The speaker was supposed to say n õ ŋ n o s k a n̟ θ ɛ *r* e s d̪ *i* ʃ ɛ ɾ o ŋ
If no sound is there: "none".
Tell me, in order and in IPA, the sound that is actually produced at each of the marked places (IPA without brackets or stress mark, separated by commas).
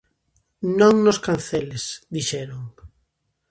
l, i